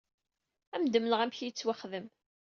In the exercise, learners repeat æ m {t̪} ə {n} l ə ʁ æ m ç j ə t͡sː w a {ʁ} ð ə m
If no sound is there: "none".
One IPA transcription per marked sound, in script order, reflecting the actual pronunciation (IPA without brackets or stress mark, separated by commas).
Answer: d̪, m, χ